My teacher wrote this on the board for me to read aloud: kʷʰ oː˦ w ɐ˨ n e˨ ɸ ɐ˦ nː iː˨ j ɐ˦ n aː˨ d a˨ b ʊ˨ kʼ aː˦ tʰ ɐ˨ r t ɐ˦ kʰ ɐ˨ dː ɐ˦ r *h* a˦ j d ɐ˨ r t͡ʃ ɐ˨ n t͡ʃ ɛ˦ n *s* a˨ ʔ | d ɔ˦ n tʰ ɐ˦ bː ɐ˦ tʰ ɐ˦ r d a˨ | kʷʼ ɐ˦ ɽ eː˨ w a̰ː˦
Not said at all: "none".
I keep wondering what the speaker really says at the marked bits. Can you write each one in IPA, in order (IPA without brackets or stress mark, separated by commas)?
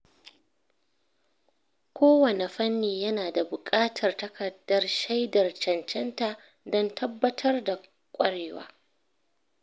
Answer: ʃ, t